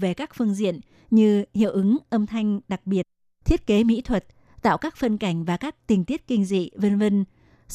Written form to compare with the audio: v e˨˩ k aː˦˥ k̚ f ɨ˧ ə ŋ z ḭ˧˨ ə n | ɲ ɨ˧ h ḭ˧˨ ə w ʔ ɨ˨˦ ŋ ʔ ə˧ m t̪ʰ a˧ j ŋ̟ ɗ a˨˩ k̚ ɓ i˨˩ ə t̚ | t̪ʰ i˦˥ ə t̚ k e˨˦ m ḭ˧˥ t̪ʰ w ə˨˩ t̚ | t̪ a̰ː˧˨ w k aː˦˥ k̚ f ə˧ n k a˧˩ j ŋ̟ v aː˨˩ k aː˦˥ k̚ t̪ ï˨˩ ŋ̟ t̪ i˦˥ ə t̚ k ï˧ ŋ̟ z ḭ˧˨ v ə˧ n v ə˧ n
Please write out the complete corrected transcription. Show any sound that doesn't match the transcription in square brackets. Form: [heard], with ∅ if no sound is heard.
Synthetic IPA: v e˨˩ k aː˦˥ k̚ f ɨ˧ ə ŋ z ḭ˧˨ ə n | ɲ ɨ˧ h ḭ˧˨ ə w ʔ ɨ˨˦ ŋ ʔ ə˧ m t̪ʰ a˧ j ŋ̟ ɗ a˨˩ k̚ ɓ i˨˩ ə t̚ | t̪ʰ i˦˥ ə t̚ k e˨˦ m ḭ˧˥ t̪ʰ w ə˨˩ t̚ | t̪ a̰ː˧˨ w k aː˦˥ k̚ f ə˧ n k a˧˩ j ŋ̟ v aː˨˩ k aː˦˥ k̚ t̪ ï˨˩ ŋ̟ t̪ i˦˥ ə t̚ k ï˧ ŋ̟ z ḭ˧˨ v ə˧ n v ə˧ n